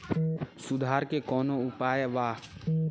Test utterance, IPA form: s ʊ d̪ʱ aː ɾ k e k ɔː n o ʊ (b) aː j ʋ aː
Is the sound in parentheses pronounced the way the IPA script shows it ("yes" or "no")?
no